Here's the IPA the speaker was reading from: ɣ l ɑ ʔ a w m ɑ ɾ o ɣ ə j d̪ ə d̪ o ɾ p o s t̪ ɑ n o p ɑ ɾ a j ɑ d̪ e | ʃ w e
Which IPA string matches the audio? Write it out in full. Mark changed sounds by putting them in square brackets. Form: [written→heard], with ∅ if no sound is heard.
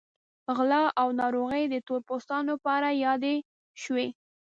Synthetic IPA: ɣ l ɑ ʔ a w [m→n] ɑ ɾ o ɣ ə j d̪ ə [d̪→t̪] o ɾ p o s t̪ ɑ n o p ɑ ɾ a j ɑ d̪ e | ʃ w e